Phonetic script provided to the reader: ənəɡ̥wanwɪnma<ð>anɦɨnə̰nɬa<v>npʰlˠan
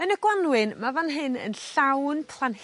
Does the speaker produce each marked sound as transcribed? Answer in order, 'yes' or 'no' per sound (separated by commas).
no, no